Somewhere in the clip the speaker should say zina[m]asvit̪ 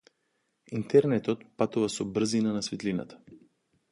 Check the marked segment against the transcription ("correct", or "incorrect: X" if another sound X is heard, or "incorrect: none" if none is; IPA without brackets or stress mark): incorrect: n